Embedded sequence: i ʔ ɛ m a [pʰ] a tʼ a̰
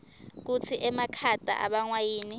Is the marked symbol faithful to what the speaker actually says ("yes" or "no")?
no